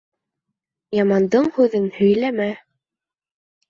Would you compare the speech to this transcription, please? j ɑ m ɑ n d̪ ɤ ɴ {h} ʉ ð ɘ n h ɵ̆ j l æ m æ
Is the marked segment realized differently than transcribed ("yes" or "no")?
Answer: no